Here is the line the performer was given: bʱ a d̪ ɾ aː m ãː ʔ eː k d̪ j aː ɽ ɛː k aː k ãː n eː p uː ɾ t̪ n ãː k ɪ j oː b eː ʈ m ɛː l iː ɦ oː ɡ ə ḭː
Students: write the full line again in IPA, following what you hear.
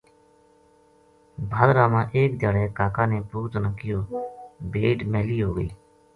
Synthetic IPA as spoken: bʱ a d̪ ɾ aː m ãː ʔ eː k d̪ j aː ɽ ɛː k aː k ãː n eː p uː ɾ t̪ n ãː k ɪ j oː b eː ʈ m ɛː l iː ɦ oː ɡ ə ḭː